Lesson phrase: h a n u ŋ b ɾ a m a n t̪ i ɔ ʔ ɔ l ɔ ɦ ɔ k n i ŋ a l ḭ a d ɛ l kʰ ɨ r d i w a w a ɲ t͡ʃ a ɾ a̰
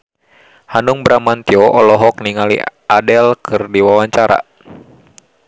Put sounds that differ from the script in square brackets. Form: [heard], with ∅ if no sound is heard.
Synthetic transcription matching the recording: h a n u ŋ b ɾ a m a n t̪ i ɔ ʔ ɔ l ɔ ɦ ɔ k n i ŋ a l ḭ a d ɛ l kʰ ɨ r d i w a w a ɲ t͡ʃ a ɾ a̰